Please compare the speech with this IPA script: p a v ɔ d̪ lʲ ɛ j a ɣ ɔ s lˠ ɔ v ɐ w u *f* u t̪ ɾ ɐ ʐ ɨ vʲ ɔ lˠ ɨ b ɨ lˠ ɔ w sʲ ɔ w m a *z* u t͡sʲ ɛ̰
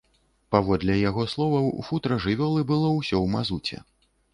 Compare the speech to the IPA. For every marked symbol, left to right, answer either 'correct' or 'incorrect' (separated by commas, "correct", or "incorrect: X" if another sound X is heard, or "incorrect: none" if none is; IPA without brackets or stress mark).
correct, correct